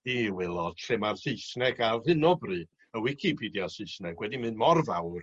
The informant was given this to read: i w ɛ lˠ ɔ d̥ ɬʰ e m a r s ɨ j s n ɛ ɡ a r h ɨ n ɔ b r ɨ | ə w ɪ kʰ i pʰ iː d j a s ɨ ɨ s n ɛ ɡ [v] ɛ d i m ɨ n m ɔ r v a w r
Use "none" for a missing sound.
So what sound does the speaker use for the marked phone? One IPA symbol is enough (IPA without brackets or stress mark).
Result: w